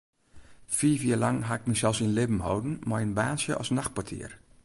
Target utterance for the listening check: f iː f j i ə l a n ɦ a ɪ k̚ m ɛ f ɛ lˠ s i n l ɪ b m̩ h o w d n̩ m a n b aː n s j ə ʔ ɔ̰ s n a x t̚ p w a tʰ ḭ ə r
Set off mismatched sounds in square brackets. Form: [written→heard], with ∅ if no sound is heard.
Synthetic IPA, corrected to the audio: f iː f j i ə l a [n→ŋ] ɦ a ɪ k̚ m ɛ [f→s] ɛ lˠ s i n l ɪ b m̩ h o w d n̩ m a n b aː n s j ə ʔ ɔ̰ s n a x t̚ p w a tʰ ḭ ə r

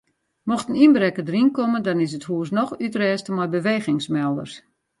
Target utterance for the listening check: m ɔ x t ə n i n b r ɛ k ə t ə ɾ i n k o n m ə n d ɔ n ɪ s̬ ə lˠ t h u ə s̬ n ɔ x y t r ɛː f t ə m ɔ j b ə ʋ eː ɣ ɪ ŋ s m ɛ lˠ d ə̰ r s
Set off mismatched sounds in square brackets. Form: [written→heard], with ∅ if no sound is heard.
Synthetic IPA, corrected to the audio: m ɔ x t ə n i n b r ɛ k ə [t→d] ə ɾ i n k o [n→∅] m ə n d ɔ n ɪ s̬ ə [lˠ→∅] t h u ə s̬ n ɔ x y t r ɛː [f→s] t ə m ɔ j b ə ʋ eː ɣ ɪ ŋ s m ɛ lˠ d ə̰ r s

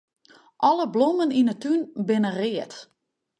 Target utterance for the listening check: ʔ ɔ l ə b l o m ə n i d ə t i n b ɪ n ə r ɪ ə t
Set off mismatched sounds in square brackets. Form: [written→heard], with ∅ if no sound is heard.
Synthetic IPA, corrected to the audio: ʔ ɔ l ə b l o m ə n i [d→n] ə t [i→y] n b ɪ n ə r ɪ ə t

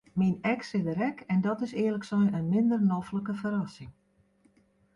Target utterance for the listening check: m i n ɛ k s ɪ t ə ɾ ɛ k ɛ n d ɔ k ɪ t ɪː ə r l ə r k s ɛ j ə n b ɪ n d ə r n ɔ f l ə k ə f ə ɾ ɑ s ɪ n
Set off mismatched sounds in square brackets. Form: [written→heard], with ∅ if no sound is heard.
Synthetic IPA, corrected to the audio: m i n ɛ k s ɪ [t→d] ə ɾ ɛ k ɛ n d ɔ [k→t] ɪ [t→s] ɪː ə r l ə [r→∅] k s ɛ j ə n [b→m] ɪ n d ə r n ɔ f l ə k ə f ə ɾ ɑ s ɪ [n→ŋ]

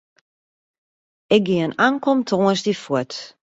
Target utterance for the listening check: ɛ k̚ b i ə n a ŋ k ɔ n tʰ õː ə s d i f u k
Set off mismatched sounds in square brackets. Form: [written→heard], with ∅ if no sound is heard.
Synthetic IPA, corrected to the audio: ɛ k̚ [b→ɡ] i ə n a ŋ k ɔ [n→m] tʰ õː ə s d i f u [k→t]

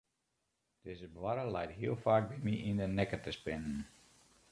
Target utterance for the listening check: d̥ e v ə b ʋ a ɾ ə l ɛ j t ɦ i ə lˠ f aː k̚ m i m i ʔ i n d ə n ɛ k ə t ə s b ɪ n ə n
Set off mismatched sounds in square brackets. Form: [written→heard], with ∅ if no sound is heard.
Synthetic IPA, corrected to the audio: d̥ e [v→z] ə b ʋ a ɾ ə l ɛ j t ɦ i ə lˠ f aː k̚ [m→b] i m i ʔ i n d ə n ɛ k ə t ə s [b→p] ɪ n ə n

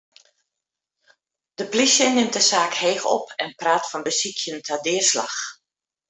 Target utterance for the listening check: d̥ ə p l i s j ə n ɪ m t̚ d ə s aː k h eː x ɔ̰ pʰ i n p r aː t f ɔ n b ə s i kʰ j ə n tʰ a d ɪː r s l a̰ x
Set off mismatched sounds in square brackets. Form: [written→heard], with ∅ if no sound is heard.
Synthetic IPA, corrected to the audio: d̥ ə p l i s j ə n ɪ m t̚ d ə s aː k h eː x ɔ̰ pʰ [i→ɛ] n p r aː t f ɔ n b ə s i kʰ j ə n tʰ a d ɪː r s l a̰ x

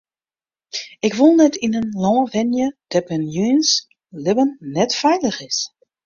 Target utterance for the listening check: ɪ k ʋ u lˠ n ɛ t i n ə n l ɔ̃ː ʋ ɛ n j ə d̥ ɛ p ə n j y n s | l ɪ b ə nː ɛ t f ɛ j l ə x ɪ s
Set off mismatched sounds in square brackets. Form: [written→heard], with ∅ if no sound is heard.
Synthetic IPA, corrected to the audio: ɪ k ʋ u lˠ n ɛ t i n ə n l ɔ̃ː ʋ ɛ n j ə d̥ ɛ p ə n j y n s | l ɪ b ə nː ɛ t f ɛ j l ə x ɪ s

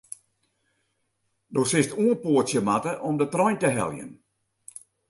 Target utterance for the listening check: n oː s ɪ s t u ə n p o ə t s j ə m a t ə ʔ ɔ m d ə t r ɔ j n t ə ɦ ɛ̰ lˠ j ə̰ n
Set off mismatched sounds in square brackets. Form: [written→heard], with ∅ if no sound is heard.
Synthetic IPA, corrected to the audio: [n→d] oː s ɪ s t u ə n p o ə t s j ə m a t ə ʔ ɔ m d ə t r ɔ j n t ə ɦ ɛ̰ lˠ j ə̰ n

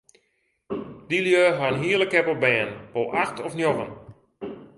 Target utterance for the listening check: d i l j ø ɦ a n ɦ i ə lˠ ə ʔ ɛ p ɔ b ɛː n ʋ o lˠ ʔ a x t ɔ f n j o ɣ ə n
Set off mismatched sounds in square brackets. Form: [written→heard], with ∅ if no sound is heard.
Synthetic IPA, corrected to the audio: d i l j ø ɦ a n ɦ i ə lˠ ə [ʔ→k] ɛ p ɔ b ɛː n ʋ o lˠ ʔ a x t ɔ f n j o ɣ ə n

